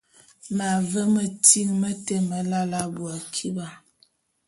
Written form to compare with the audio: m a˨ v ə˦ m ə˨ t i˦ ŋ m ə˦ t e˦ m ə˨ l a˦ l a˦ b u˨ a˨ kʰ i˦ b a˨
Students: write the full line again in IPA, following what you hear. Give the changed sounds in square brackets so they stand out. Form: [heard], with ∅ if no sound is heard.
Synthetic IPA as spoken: m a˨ v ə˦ m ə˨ t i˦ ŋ m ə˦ t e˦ m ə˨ l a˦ l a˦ b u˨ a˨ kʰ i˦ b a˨